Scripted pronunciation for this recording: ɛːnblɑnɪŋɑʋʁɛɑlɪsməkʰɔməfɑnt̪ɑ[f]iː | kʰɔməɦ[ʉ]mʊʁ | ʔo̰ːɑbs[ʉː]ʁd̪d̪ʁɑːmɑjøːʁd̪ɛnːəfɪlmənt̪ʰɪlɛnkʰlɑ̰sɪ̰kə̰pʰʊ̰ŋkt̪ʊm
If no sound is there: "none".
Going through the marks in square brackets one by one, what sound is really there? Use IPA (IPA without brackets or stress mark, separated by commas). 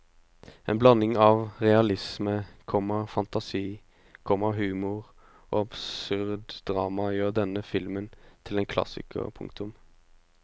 s, ʉː, ʉ